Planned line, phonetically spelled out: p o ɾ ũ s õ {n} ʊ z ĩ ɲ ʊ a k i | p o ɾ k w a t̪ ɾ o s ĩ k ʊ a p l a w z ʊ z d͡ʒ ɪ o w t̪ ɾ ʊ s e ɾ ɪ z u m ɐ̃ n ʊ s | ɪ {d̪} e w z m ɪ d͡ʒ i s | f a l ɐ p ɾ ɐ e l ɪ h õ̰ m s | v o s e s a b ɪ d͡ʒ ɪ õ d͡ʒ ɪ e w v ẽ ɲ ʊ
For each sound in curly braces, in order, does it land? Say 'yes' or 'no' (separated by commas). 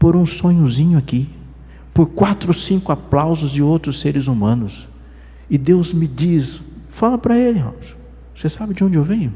no, yes